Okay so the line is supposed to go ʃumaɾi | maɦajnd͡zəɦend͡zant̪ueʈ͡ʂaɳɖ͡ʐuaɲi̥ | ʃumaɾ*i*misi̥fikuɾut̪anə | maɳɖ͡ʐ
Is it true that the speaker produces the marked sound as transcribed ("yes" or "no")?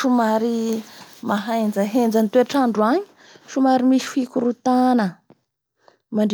yes